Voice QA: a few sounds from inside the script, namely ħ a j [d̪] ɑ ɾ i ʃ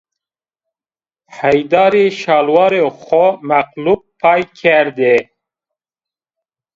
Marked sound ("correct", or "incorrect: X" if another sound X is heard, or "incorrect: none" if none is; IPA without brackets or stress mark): correct